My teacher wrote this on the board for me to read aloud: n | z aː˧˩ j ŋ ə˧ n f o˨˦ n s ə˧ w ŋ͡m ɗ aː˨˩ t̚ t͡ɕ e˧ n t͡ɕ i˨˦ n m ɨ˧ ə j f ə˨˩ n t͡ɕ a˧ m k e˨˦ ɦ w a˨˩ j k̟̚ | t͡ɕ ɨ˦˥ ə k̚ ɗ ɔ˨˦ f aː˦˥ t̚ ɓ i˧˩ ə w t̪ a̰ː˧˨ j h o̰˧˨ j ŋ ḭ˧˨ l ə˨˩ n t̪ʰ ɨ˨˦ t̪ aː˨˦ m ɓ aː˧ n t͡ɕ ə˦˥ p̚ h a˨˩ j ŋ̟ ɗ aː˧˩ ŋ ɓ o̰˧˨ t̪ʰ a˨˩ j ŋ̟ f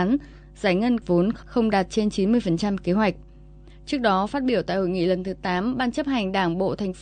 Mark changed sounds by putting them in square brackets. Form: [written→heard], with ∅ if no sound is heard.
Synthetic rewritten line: n | z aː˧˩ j ŋ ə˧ n [f→v] o˨˦ n [s→x] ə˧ w ŋ͡m ɗ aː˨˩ t̚ t͡ɕ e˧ n t͡ɕ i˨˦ n m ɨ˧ ə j f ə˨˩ n t͡ɕ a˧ m k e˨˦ ɦ w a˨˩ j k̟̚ | t͡ɕ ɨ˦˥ ə k̚ ɗ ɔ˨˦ f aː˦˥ t̚ ɓ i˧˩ ə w t̪ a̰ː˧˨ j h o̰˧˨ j ŋ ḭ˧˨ l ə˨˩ n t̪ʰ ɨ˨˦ t̪ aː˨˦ m ɓ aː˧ n t͡ɕ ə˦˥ p̚ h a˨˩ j ŋ̟ ɗ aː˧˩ ŋ ɓ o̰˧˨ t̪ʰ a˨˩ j ŋ̟ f